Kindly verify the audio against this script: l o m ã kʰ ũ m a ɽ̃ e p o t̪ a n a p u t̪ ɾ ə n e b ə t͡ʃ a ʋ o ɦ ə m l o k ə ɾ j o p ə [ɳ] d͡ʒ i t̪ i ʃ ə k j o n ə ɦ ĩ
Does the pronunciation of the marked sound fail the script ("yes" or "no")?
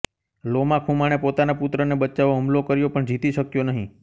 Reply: no